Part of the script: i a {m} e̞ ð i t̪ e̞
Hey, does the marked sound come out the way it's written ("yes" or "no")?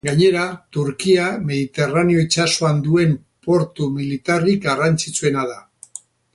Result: yes